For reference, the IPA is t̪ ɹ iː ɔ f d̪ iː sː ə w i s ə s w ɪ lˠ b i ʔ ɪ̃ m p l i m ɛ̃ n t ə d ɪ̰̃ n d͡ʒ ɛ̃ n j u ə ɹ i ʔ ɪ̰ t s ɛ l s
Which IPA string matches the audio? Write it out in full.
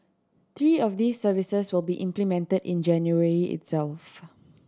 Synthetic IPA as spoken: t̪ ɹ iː ɔ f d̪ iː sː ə v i s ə s w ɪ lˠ b i ʔ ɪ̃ m p l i m ɛ̃ n t ə d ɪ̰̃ n d͡ʒ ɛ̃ n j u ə ɹ i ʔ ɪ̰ t s ɛ l f